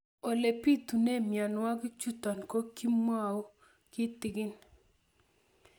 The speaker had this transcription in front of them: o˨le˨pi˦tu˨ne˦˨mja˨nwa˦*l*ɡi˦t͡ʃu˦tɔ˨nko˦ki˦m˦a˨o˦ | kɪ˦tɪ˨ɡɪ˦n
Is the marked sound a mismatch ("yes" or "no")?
yes